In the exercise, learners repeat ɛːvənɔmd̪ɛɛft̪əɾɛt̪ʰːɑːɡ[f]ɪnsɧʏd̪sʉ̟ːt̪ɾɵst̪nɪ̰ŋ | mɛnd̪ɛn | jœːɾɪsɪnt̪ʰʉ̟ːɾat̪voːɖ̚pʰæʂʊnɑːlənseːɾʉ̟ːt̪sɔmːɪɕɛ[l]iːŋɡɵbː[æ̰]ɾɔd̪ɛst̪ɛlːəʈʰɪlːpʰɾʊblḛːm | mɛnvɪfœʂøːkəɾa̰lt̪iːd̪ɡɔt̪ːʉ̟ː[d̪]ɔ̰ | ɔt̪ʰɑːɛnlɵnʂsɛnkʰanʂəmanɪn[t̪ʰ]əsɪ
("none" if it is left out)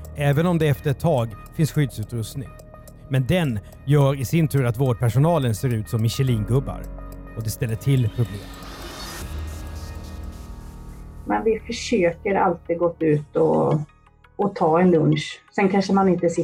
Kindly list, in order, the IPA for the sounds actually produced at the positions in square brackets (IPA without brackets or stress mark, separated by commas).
f, l, a̰, t̪, t̪